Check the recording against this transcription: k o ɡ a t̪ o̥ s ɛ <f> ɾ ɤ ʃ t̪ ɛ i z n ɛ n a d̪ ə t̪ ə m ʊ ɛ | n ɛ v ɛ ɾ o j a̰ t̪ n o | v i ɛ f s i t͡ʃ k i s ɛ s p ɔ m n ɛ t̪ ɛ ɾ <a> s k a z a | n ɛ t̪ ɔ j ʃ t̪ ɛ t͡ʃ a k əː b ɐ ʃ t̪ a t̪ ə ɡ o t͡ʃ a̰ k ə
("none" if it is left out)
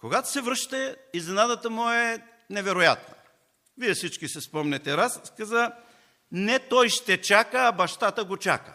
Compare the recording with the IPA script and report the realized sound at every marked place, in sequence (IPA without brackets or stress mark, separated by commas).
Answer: v, a